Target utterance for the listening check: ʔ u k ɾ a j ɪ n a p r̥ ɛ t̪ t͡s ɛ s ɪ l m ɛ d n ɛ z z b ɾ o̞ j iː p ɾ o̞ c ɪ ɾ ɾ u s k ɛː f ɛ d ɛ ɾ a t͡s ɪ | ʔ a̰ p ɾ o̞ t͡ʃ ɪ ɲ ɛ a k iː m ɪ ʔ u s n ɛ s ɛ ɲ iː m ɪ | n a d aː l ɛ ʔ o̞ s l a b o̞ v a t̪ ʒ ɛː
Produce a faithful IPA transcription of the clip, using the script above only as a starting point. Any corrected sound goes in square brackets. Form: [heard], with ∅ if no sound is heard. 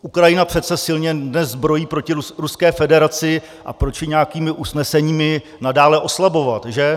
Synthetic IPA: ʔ u k ɾ a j ɪ n a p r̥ ɛ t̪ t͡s ɛ s ɪ l [ɲ] ɛ d n ɛ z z b ɾ o̞ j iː p ɾ o̞ c ɪ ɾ ɾ u s k ɛː f ɛ d ɛ ɾ a t͡s ɪ | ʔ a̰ p ɾ o̞ t͡ʃ ɪ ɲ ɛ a k iː m ɪ ʔ u s n ɛ s ɛ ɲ iː m ɪ | n a d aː l ɛ ʔ o̞ s l a b o̞ v a t̪ ʒ [ɛ]